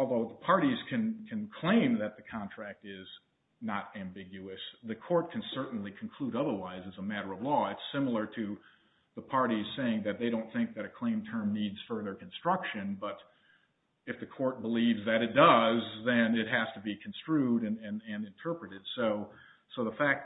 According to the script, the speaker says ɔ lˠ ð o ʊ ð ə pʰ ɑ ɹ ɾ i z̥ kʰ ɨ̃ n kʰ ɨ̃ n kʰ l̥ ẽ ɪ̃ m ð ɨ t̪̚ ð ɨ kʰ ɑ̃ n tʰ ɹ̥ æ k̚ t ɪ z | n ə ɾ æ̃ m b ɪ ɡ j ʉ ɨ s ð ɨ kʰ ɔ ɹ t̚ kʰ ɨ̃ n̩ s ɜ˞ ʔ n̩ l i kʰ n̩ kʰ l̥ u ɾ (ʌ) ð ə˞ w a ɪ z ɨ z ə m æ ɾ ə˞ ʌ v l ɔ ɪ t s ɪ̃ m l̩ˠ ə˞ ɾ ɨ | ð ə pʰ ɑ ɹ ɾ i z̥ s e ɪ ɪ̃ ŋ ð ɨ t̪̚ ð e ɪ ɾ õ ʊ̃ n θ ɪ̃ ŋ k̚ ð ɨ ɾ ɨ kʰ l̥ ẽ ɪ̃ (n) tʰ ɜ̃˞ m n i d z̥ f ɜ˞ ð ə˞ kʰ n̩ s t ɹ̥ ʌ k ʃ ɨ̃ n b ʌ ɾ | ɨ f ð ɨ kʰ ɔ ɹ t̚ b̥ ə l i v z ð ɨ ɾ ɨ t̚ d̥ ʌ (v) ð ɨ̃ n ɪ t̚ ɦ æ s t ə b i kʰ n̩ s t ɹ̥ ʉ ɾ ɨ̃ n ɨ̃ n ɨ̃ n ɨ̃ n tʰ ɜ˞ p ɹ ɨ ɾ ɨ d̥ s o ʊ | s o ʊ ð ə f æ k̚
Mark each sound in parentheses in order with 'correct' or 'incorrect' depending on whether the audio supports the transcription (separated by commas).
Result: correct, incorrect, incorrect